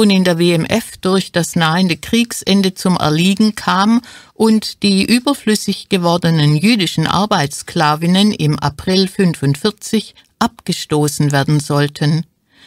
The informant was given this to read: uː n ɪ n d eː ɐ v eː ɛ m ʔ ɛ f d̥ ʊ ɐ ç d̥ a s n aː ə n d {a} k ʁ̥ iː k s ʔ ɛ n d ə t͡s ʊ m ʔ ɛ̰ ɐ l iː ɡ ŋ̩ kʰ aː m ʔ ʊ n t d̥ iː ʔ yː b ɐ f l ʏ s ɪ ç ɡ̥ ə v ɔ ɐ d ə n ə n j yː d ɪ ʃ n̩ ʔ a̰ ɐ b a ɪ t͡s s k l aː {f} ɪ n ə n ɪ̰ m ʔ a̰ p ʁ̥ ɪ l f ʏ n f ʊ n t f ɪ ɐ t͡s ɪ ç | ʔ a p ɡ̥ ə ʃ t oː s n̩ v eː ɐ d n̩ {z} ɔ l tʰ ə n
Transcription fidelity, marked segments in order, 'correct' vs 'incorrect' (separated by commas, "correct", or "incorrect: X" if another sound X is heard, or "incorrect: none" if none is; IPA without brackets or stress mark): incorrect: ə, incorrect: v, correct